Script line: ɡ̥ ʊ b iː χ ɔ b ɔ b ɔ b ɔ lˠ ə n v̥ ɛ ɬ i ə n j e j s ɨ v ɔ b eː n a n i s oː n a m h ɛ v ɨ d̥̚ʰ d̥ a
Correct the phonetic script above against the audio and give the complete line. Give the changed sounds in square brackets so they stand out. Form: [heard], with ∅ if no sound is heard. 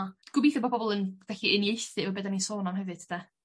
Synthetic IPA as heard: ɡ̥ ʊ b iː [θ] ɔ b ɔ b ɔ b ɔ lˠ ə n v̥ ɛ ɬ i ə n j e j [θ] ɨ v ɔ b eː [d] a n i s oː n a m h ɛ v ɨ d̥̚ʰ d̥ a